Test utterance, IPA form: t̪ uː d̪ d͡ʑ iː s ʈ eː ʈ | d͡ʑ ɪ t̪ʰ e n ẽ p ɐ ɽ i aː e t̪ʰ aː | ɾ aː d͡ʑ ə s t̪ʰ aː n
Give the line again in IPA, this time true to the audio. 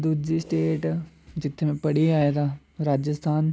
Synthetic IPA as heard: d̪ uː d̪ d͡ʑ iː s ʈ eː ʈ | d͡ʑ ɪ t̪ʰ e m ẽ p ɐ ɽ i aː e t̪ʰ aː | ɾ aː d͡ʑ ə s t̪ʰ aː n